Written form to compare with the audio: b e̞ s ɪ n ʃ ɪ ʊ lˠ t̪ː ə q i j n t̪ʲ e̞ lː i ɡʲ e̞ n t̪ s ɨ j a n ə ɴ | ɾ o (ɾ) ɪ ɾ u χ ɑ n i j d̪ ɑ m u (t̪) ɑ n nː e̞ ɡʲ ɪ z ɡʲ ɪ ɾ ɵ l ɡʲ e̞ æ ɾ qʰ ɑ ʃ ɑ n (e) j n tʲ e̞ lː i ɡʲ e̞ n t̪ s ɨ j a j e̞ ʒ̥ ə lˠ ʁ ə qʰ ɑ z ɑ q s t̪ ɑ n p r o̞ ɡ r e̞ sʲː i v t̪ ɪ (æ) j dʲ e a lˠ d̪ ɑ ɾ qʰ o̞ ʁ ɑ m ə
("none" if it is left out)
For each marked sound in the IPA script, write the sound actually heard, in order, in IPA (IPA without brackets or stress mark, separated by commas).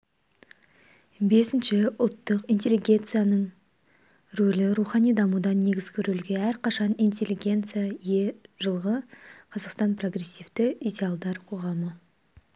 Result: l, d̪, i, i